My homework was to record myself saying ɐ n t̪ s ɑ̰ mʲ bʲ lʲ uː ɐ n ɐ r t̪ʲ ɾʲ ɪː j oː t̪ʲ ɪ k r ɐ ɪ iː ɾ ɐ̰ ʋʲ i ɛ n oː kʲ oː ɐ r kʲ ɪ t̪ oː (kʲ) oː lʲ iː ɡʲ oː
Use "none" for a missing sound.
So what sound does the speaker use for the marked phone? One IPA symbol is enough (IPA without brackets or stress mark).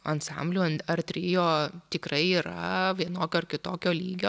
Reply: kʲ